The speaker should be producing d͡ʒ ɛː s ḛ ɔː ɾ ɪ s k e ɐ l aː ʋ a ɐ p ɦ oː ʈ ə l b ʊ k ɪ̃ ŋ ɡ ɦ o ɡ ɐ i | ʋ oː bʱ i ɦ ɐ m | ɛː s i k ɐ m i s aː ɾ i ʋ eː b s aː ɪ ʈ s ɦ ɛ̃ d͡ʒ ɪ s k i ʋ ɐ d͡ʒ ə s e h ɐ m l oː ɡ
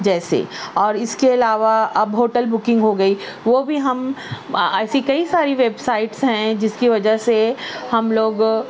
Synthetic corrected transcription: d͡ʒ ɛː s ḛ ɔː ɾ ɪ s k e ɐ l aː ʋ a ɐ b ɦ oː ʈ ə l b ʊ k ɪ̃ ŋ ɡ ɦ o ɡ ɐ i | ʋ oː bʱ i ɦ ɐ m | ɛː s i k ɐ i s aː ɾ i ʋ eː b s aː ɪ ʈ s ɦ ɛ̃ d͡ʒ ɪ s k i ʋ ɐ d͡ʒ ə s e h ɐ m l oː ɡ